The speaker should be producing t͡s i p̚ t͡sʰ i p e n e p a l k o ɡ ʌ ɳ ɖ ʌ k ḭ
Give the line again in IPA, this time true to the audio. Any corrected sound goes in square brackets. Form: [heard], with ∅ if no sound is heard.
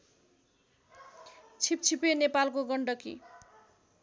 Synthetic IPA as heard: [t͡sʰ] i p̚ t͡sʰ i p e n e p a l k o ɡ ʌ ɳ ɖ ʌ k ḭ